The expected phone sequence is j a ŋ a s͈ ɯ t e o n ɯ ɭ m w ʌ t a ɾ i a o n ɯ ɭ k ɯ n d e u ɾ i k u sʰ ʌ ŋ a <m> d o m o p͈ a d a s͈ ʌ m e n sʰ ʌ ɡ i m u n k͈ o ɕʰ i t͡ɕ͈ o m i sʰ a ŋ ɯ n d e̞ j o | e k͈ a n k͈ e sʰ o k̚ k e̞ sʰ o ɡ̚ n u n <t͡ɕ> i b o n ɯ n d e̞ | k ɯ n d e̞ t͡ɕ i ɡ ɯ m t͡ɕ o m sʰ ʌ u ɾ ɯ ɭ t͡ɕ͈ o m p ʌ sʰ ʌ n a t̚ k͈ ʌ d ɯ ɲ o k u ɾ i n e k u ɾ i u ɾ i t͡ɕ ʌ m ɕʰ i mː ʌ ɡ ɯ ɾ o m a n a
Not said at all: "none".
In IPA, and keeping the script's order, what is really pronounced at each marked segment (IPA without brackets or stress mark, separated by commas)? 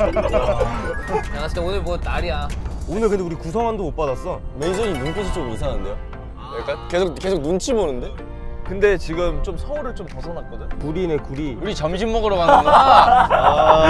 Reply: n, t͡ɕʰ